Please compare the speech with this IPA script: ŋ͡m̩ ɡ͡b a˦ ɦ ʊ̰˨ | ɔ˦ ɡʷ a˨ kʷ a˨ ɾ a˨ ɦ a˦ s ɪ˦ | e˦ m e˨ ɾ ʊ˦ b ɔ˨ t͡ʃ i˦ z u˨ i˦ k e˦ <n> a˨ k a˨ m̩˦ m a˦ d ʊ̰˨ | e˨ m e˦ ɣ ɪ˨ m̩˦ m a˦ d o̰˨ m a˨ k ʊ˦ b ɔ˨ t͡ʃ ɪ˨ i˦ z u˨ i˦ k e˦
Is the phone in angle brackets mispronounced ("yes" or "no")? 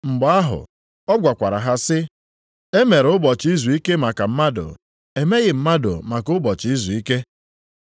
yes